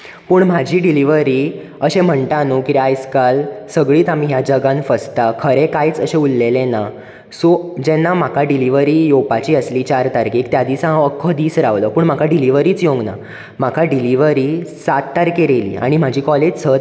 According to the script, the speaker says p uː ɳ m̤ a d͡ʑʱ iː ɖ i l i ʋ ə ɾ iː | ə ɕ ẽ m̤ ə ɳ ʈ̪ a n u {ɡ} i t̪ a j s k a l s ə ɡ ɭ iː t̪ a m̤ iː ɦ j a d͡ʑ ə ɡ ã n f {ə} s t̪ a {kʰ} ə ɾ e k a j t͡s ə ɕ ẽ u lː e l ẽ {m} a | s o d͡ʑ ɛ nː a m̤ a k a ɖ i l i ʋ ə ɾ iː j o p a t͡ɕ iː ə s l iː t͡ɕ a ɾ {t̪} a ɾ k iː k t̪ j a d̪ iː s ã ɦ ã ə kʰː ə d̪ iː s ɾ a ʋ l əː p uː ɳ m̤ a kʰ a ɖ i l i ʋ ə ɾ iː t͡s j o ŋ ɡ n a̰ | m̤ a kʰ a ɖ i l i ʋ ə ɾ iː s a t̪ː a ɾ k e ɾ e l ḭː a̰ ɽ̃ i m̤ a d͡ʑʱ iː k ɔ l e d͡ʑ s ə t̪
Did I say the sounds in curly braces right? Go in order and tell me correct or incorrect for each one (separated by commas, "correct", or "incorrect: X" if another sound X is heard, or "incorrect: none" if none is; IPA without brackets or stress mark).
incorrect: k, correct, correct, incorrect: n, correct